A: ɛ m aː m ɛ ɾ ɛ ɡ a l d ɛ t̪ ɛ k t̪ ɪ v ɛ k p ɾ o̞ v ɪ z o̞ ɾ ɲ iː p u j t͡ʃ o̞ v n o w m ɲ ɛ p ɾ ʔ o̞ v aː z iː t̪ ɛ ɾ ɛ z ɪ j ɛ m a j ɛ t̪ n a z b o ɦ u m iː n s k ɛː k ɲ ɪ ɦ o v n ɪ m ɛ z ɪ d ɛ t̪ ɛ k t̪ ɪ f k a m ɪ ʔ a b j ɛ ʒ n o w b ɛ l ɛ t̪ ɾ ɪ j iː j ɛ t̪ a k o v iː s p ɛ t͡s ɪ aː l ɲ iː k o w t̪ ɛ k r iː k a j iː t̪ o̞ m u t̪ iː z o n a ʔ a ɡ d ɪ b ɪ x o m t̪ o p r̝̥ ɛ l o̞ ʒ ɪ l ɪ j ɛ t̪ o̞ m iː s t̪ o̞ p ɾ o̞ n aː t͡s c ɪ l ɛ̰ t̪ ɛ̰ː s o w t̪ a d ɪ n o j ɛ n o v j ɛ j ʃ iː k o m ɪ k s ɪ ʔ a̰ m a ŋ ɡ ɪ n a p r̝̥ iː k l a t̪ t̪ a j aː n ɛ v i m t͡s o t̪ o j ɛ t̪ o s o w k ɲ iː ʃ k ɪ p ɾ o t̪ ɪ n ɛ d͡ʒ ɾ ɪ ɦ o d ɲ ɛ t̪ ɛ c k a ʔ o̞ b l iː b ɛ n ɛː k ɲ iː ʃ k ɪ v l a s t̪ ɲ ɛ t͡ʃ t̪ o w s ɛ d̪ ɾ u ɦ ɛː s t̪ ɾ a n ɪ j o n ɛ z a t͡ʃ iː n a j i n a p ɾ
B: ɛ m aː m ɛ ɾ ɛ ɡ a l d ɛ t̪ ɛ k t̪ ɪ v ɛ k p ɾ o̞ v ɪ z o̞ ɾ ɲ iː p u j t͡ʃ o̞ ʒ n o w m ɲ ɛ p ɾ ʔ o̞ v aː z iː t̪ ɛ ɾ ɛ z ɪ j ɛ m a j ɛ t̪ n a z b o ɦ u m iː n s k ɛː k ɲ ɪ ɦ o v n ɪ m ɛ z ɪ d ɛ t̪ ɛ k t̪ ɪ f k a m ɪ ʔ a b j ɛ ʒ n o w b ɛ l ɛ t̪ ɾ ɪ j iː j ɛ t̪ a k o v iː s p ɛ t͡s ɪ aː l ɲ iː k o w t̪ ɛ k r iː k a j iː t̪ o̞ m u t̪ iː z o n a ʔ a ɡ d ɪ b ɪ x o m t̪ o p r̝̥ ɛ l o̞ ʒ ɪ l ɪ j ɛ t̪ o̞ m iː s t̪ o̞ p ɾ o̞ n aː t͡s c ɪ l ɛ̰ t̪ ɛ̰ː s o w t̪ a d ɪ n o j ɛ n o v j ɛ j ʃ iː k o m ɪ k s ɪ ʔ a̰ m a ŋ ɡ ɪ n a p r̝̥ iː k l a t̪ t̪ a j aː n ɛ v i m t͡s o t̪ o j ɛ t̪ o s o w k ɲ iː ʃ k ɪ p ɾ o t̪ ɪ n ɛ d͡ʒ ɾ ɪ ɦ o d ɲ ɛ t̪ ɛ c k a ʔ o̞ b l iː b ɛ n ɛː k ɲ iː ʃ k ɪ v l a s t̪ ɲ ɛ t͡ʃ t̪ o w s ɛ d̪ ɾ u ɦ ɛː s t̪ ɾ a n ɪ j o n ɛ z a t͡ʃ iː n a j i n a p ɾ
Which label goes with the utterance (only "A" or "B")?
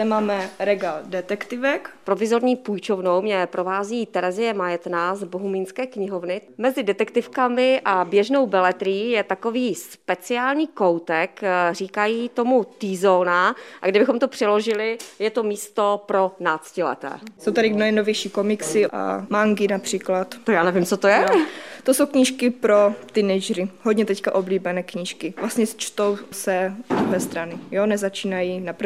A